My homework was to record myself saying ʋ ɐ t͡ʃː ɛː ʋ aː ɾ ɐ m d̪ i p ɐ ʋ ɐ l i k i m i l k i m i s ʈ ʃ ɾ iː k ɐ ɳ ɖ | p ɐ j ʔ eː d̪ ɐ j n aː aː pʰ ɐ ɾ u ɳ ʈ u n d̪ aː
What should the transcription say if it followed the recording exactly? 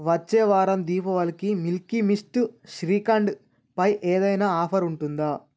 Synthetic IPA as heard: ʋ ɐ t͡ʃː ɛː ʋ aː ɾ ɐ m d̪ iː p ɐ ʋ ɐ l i k i m i l k i m i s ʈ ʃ ɾ iː k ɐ ɳ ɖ | p ɐ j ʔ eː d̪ ɐ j n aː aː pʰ ɐ ɾ u ɳ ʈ u n d̪ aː